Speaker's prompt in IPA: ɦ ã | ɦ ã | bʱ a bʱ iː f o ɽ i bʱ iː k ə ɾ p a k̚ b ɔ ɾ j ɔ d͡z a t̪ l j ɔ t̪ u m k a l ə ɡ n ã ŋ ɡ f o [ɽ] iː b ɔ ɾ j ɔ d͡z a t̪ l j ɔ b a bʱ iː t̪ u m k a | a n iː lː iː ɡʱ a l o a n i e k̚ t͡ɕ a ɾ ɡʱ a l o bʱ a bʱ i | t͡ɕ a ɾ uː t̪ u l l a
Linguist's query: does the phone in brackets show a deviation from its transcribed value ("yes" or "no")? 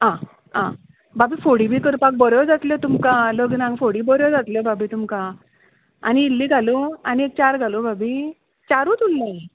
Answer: no